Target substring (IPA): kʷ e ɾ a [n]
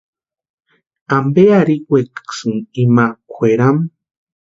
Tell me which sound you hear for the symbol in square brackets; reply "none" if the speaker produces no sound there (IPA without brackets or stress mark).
m